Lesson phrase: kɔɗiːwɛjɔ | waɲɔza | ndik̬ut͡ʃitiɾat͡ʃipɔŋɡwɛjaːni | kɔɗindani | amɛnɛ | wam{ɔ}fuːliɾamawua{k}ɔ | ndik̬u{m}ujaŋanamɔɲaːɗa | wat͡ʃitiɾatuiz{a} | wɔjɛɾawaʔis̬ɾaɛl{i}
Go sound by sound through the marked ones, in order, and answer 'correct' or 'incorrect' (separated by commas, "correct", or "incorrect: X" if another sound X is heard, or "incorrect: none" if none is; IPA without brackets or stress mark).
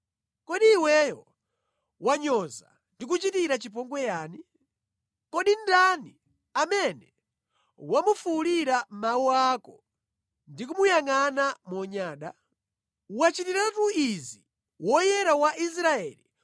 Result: incorrect: u, correct, correct, incorrect: i, correct